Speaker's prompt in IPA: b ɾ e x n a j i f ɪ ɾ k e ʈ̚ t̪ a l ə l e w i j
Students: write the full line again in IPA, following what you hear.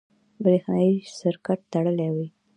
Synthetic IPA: b ɾ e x n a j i s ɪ ɾ k a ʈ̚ t̪ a ɽ ə l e w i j